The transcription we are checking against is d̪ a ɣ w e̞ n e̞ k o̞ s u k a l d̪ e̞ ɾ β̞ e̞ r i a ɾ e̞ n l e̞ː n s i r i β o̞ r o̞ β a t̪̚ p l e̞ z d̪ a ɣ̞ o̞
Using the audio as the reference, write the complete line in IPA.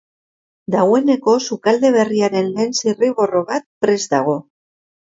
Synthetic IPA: d̪ a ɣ w e̞ n e̞ k o̞ s u k a l d̪ e̞ β̞ e̞ r i a ɾ e̞ n l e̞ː n s i r i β o̞ r o̞ β a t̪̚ p ɾ e̞ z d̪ a ɣ̞ o̞